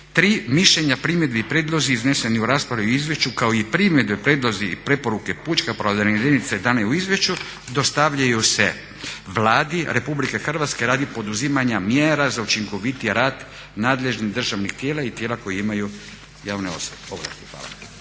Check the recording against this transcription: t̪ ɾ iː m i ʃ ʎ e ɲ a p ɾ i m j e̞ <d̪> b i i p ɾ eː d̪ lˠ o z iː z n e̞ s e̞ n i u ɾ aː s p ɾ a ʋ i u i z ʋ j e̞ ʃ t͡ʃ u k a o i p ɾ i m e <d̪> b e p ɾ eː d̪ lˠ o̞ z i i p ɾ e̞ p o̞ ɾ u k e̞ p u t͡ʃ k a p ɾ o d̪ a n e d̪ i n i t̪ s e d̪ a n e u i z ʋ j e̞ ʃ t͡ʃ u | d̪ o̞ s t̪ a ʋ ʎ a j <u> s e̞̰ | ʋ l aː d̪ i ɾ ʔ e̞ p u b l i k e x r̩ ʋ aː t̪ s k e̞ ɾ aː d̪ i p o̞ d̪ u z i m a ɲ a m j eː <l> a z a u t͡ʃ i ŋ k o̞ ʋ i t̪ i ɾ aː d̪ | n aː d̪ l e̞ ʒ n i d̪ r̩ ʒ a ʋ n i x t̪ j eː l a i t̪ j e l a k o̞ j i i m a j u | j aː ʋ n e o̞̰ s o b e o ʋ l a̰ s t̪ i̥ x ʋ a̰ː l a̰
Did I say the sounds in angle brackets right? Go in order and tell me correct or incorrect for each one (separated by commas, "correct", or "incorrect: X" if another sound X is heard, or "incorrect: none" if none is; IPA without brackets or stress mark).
correct, correct, correct, incorrect: ɾ